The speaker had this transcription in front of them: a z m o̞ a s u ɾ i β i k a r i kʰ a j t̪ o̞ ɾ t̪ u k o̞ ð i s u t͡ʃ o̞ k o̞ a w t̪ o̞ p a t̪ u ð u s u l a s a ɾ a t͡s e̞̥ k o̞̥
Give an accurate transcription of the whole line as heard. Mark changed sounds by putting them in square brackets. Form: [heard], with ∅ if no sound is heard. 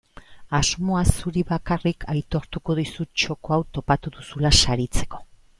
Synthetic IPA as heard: a z m o̞ a s u ɾ i β [a] k a r i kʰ a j t̪ o̞ ɾ t̪ u k o̞ ð i s u t͡ʃ o̞ k o̞ a w t̪ o̞ p a t̪ u ð u s u l a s a ɾ [i] t͡s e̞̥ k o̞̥